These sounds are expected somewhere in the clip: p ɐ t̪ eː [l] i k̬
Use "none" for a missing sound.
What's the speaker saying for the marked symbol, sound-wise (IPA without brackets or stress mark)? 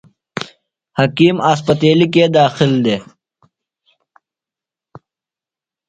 l